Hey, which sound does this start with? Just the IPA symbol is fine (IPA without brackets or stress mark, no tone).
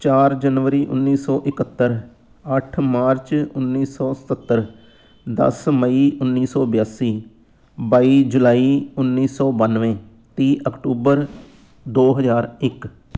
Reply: t͡ʃ